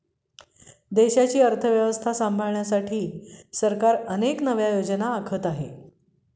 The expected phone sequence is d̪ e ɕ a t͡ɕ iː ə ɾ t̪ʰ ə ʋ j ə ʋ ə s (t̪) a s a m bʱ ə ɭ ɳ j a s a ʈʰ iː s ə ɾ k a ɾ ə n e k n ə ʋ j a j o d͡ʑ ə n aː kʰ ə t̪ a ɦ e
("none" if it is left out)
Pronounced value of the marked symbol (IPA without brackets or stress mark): t̪ʰ